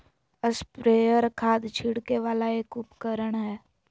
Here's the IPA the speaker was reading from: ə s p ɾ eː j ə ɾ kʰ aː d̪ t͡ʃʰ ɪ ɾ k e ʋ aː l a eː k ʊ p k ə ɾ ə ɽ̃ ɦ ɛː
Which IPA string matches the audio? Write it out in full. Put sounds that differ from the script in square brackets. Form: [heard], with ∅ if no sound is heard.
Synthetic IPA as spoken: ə s p ɾ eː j ə ɾ kʰ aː d̪ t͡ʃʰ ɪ [ɽ] k e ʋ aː l a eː k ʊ p k ə ɾ ə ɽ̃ ɦ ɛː